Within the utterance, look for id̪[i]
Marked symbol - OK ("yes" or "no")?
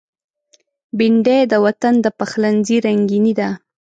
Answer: no